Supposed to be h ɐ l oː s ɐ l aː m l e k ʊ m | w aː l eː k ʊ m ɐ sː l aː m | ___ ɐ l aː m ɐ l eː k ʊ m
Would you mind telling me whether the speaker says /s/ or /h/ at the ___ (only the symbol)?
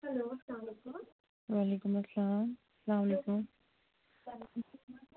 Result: s